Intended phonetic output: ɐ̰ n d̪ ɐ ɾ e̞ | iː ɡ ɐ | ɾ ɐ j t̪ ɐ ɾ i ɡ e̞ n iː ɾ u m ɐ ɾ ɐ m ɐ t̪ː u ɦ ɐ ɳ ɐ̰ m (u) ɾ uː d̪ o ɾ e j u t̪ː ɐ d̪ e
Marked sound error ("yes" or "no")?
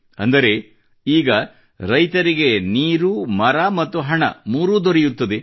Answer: yes